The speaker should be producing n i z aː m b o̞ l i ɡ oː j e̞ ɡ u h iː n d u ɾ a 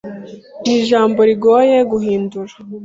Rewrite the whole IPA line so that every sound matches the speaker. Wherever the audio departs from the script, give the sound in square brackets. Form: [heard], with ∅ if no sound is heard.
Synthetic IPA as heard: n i [ʒ] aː m b o̞ [ɾ] i ɡ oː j e̞ ɡ u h iː n d u ɾ a